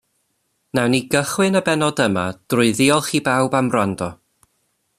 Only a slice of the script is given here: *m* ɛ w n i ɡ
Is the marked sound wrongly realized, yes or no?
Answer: yes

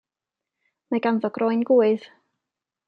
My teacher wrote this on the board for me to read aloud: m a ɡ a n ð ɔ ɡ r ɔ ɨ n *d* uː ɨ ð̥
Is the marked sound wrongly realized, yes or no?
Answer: yes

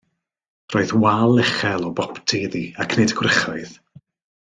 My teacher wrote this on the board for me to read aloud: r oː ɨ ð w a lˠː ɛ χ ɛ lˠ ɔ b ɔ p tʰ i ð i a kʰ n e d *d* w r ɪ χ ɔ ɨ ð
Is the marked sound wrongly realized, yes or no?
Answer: yes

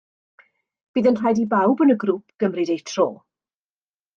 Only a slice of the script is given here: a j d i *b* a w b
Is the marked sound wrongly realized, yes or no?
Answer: no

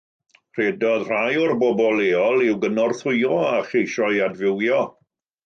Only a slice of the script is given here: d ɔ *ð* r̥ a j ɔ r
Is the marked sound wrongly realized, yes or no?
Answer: no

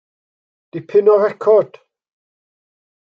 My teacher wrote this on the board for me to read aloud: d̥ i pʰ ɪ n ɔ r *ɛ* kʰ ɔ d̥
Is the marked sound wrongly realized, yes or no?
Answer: no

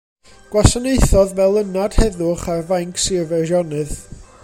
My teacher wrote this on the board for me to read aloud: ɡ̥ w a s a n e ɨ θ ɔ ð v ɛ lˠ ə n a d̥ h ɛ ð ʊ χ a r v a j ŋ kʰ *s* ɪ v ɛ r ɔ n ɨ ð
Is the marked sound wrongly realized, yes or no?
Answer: no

